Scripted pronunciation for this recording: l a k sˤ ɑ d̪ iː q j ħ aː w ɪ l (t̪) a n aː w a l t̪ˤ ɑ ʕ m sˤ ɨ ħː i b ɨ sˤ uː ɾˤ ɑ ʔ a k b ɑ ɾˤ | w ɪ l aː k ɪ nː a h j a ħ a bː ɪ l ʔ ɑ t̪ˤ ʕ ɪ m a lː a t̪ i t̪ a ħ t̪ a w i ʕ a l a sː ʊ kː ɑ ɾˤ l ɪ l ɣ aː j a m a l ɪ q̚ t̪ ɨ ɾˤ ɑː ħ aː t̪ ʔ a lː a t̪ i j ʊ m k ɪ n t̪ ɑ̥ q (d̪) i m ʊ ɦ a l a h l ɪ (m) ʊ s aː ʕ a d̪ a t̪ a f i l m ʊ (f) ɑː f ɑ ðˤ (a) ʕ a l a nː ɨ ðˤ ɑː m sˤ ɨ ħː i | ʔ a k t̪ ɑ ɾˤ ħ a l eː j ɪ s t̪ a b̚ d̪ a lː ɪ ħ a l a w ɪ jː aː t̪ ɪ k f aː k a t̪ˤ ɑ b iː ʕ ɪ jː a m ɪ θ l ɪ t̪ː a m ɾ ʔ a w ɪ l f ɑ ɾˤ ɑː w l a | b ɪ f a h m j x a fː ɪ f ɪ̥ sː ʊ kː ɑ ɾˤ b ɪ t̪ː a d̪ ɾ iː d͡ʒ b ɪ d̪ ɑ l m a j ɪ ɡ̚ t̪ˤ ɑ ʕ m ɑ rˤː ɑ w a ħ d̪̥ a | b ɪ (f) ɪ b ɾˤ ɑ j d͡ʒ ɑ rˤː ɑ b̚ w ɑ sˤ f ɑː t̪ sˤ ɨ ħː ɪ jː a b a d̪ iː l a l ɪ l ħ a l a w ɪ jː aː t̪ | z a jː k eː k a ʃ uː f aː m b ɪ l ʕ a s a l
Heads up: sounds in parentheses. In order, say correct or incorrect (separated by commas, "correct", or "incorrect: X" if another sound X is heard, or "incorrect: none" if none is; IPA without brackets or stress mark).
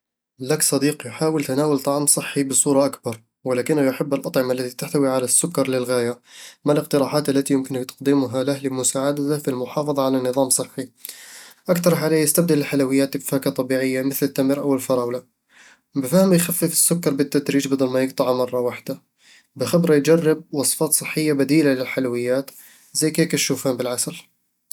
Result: correct, correct, correct, incorrect: ħ, incorrect: ɑ, incorrect: x